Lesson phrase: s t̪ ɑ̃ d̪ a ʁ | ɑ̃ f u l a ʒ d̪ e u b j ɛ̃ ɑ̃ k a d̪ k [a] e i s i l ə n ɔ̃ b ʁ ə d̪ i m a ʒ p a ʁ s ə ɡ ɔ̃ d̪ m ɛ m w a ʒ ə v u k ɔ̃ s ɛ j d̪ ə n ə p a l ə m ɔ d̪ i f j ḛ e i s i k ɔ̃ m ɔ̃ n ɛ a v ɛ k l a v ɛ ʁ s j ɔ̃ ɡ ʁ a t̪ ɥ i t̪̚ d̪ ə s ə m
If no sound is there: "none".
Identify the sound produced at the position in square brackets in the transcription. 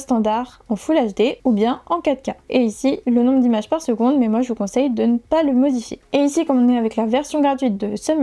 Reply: a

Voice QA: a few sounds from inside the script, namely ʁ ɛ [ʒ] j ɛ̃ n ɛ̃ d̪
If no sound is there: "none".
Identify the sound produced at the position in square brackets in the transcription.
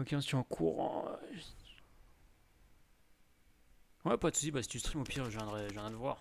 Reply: ʒ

